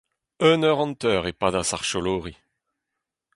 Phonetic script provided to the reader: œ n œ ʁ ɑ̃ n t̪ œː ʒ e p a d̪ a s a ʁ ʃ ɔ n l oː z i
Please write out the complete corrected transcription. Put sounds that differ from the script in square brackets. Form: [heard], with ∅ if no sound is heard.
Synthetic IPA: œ n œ ʁ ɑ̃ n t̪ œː [ʁ] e p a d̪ a s a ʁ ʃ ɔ [∅] l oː [ʁ] i